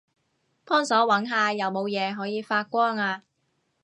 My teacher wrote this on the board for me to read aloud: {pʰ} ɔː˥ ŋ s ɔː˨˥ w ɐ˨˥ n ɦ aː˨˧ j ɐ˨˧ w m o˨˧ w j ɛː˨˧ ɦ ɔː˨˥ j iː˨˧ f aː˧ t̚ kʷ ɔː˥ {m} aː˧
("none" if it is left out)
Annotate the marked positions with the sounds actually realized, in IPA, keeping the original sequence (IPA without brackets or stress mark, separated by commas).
pʰ, ŋ